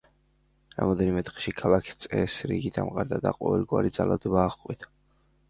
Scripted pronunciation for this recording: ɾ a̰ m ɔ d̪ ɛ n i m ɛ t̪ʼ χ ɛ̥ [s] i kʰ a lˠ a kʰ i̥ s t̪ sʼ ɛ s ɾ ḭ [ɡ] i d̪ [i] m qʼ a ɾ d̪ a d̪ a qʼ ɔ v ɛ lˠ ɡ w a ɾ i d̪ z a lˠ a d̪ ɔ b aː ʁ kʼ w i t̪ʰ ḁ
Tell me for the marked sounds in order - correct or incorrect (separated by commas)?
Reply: incorrect, correct, incorrect